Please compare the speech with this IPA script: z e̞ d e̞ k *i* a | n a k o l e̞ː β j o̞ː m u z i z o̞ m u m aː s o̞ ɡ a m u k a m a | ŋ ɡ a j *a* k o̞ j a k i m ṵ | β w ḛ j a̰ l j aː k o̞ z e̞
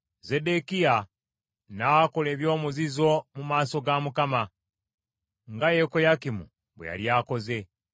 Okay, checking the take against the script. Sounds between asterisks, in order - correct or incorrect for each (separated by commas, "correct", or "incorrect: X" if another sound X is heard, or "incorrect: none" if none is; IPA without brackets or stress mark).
correct, incorrect: e